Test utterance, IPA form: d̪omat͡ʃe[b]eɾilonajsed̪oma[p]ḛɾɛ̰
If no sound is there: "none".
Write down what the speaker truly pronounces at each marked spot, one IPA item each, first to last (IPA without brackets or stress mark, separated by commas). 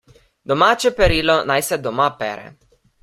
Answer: p, p